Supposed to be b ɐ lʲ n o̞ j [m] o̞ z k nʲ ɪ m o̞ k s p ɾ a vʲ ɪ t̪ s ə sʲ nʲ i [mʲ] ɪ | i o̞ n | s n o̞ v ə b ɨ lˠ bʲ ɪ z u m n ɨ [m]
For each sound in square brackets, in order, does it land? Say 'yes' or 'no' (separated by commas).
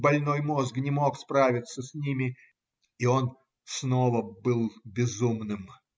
yes, yes, yes